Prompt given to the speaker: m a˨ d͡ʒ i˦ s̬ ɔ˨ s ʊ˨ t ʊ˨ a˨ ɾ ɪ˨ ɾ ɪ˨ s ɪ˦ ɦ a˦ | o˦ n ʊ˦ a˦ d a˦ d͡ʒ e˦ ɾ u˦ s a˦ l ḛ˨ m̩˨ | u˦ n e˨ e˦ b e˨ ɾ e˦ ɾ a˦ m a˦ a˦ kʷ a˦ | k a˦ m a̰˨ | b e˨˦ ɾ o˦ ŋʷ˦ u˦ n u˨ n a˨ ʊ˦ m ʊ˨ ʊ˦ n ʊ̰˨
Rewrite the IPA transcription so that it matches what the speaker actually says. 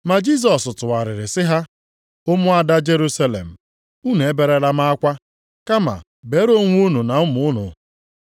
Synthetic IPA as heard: m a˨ d͡ʒ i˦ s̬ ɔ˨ s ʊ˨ t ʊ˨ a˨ ɾ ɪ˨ ɾ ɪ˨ s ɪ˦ ɦ a˦ | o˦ m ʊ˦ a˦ d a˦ d͡ʒ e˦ ɾ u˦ s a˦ l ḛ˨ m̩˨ | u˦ n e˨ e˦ b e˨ ɾ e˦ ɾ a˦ m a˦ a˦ kʷ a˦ | k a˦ m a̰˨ | b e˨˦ ɾ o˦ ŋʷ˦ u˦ n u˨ n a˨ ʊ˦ m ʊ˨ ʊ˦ n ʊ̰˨

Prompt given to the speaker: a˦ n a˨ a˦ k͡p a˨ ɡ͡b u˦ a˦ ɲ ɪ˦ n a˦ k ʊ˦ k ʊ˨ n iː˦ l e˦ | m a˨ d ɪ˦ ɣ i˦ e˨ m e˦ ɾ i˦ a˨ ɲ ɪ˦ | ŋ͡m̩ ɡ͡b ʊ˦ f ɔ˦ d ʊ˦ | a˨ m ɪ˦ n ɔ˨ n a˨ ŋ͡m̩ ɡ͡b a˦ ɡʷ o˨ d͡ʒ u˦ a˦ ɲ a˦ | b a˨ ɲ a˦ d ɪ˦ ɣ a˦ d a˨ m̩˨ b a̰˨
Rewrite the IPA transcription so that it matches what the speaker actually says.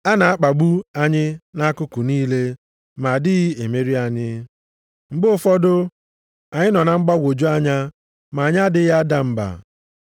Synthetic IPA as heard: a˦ n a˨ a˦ k͡p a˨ ɡ͡b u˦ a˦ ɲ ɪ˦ n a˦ k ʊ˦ k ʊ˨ n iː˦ l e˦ | m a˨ d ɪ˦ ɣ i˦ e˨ m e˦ ɾ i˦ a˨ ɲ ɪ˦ | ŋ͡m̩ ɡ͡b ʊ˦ f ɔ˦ d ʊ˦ | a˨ ɲ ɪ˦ n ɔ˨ n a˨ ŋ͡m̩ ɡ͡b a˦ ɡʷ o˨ d͡ʒ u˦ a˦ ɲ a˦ | m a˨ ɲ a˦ d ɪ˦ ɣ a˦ d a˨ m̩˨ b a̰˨

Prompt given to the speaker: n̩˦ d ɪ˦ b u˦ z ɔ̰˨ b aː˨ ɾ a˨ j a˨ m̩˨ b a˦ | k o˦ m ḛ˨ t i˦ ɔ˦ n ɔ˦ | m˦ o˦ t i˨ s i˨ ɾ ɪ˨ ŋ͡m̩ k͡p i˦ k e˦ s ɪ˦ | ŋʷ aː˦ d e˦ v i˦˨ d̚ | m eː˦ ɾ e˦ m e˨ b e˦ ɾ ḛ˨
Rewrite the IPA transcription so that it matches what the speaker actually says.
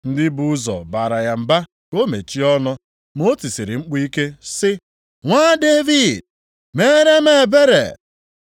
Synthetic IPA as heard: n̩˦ d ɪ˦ b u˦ z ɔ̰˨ b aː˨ ɾ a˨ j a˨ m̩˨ b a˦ | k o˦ m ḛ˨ t͡ʃ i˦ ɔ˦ n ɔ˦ | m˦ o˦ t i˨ s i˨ ɾ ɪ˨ ŋ͡m̩ k͡p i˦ k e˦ s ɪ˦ | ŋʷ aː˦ d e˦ v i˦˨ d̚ | m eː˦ ɾ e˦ m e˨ b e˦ ɾ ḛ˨

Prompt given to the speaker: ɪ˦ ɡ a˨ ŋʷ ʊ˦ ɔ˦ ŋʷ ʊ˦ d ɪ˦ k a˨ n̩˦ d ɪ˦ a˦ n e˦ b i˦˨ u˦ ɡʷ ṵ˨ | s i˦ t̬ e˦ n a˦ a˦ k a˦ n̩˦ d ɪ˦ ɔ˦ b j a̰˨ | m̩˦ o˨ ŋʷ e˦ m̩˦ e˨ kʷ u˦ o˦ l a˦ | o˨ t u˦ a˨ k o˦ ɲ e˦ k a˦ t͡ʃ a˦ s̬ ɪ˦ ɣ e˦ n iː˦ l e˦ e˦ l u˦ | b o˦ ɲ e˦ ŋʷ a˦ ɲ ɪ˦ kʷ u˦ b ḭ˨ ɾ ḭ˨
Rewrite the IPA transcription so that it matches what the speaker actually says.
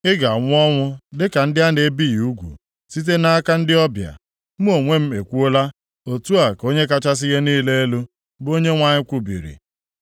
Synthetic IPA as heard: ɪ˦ ɡ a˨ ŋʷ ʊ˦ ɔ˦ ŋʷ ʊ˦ d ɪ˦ k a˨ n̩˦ d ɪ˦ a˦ n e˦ b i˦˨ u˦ ɡʷ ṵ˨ | s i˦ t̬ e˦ n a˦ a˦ k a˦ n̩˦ d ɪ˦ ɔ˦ b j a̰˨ | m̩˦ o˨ ŋʷ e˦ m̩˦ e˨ kʷ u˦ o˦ l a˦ | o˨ t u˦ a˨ k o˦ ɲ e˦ k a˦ t͡ʃ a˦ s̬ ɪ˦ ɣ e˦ n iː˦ l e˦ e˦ l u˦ | b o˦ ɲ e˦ ŋʷ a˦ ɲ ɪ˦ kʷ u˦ b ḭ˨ ɾ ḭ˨

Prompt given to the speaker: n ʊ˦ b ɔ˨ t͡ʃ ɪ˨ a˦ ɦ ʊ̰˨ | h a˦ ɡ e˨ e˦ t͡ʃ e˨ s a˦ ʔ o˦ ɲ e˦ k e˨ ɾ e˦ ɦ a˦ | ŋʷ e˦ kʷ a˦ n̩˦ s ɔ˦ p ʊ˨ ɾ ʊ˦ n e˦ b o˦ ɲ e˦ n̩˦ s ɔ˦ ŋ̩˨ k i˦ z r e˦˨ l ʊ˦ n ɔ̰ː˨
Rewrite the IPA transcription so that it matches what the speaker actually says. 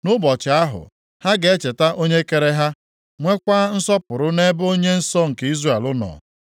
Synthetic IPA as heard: n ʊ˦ b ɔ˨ t͡ʃ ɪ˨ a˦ ɦ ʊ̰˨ | h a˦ ɡ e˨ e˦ t͡ʃ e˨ t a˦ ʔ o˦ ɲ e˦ k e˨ ɾ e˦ ɦ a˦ | ŋʷ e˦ kʷ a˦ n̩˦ s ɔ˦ p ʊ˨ ɾ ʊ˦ n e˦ b o˦ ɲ e˦ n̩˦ s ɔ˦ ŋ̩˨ k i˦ z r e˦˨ l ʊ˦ n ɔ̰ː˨

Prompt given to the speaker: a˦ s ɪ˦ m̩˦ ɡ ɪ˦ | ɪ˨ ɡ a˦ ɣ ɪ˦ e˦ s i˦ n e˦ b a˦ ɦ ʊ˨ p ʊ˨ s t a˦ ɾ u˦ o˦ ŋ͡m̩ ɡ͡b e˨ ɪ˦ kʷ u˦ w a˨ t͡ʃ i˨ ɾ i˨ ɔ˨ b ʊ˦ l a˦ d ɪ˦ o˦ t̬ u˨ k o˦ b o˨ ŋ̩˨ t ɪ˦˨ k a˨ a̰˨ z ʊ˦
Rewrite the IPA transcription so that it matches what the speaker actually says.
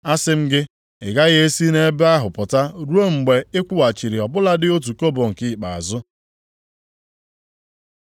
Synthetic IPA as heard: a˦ s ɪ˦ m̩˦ ɡ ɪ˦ | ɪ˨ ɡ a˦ ɣ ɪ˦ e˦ s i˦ n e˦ b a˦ ɦ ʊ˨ p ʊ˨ t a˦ ɾ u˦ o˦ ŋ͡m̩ ɡ͡b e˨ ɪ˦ kʷ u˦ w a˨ t͡ʃ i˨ ɾ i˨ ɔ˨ b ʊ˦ l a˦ d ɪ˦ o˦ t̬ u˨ k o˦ b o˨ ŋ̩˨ k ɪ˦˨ k͡p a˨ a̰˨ z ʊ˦

